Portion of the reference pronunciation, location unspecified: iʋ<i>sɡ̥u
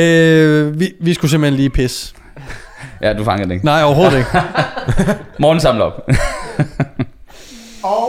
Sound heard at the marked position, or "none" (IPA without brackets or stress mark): i